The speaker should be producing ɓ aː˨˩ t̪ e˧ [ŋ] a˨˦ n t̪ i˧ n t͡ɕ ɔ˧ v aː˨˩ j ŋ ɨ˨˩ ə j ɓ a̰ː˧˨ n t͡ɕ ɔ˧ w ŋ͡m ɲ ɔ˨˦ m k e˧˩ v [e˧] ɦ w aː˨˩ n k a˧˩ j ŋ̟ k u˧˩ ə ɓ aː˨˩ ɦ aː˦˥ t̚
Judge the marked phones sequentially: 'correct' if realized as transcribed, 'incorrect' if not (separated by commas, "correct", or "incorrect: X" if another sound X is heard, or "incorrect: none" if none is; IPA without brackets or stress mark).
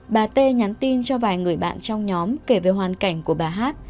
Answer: incorrect: ɲ, incorrect: e˨˩